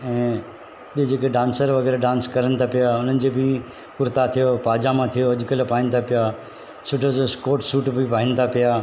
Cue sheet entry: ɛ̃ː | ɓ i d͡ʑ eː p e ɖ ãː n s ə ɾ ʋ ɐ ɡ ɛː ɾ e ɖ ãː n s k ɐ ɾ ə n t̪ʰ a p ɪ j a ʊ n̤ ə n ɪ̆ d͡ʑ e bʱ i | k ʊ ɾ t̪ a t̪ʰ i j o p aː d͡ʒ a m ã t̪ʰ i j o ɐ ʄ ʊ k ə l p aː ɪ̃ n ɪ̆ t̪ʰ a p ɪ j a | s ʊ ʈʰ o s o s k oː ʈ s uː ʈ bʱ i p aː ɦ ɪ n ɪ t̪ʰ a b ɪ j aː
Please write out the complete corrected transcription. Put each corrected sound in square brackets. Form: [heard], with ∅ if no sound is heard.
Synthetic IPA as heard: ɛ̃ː | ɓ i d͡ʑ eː [k] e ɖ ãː n s ə ɾ ʋ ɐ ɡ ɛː ɾ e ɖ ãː n s k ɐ ɾ ə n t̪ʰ a p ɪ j a ʊ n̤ ə n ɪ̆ d͡ʑ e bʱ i | k ʊ ɾ t̪ a t̪ʰ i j o p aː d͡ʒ a m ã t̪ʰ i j o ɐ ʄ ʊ k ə l p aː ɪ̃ n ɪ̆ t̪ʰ a p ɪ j a | s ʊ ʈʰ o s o s k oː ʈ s uː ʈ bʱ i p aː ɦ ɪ n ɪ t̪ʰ a [p] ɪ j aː